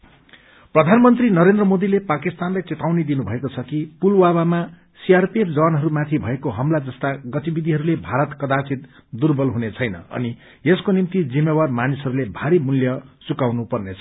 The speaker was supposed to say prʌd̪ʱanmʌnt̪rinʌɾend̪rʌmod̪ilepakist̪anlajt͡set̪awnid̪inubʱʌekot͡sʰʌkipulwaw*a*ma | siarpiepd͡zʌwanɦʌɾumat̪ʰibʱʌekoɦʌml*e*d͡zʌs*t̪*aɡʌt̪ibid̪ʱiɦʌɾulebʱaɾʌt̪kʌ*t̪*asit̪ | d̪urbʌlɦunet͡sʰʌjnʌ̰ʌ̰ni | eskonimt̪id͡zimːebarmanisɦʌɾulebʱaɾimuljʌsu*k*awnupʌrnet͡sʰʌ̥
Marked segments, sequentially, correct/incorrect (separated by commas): correct, incorrect, correct, incorrect, correct